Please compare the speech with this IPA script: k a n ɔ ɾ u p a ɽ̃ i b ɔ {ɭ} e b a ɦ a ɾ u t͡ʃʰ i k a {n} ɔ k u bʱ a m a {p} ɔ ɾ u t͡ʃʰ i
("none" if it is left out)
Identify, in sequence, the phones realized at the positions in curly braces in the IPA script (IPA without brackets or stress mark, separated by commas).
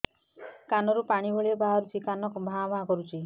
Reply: ɭ, n, k